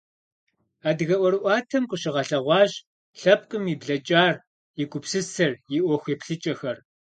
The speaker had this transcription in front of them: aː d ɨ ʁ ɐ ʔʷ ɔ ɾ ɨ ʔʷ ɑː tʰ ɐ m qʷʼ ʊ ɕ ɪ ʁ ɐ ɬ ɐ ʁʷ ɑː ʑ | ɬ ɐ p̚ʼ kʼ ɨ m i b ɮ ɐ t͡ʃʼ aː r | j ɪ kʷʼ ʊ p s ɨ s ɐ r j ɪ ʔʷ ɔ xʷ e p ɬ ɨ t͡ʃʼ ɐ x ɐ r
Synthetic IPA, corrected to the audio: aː d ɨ ɣ ɐ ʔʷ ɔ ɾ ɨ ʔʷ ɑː tʰ ɐ m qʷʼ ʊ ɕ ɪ ʁ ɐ ɬ ɐ ʁʷ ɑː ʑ | ɬ ɐ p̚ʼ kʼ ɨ m i b ɮ ɐ t͡ʃʼ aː r | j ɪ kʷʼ ʊ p s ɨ s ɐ r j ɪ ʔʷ ɔ xʷ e p ɬ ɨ t͡ʃʼ ɐ x ɐ r